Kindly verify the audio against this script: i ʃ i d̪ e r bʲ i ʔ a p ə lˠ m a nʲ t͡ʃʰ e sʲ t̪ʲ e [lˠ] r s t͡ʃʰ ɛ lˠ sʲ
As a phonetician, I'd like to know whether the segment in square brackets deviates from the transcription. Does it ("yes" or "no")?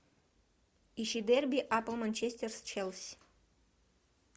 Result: yes